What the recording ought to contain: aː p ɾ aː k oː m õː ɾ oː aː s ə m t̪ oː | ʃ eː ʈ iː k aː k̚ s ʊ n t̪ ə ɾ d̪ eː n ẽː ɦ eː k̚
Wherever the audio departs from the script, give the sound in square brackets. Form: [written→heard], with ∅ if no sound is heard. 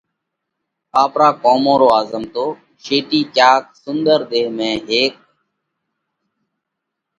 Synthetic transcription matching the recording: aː p ɾ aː k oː m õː ɾ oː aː [s→z] ə m t̪ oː | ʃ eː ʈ iː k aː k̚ s ʊ n [t̪→d̪] ə ɾ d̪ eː [n→m] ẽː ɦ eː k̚